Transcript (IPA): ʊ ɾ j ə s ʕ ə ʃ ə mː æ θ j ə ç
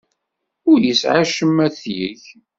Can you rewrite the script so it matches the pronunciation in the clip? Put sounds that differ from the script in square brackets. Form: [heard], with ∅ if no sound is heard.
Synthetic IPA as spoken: ʊ ɾ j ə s ʕ [a] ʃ ə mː æ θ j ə ç